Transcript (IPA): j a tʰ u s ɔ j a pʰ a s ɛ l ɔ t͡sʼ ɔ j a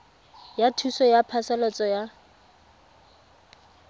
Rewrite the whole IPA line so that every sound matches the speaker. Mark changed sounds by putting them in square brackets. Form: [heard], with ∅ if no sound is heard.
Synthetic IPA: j a tʰ u s ɔ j a pʰ a s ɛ l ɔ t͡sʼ ɔ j a